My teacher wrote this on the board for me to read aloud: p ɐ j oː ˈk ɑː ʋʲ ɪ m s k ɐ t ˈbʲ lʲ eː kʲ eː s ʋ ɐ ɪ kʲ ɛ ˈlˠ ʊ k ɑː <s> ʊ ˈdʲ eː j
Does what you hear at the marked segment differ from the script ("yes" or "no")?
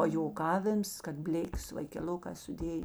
no